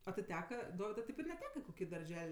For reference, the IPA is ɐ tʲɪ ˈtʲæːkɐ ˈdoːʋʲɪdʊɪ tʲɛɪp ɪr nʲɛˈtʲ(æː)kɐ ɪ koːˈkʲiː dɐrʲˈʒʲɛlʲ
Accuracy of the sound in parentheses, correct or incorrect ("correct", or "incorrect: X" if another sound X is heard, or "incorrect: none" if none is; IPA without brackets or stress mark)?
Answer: correct